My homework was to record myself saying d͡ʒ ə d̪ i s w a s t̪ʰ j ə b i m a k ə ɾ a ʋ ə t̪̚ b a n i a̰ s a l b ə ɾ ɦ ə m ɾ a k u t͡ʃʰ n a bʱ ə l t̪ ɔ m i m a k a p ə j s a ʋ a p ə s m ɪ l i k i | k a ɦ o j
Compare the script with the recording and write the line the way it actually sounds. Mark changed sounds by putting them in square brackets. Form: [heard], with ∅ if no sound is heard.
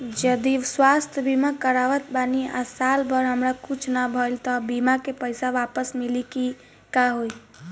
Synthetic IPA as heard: d͡ʒ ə d̪ i s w a s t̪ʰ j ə b i m a k ə ɾ a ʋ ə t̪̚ b a n i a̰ s a l b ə ɾ ɦ ə m ɾ a k u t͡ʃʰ n a bʱ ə l t̪ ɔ [b] i m a k [e] p ə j s a ʋ a p ə s m [i] l i k i | k a ɦ o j